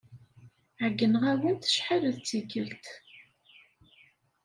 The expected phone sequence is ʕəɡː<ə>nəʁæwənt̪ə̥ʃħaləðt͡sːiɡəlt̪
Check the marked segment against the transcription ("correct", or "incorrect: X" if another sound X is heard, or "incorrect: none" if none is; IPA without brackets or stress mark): correct